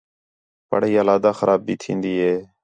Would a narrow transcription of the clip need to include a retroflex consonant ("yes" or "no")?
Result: yes